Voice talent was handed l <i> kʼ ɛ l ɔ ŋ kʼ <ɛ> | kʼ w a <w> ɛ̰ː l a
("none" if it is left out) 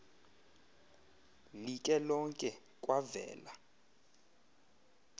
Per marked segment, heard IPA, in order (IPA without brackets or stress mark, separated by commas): i, ɛ, v